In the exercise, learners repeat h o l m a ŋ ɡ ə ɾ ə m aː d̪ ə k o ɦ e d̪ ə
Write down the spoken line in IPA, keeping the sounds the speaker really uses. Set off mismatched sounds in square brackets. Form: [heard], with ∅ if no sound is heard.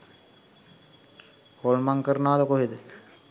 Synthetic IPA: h o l m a ŋ [k] ə ɾ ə [n] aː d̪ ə k o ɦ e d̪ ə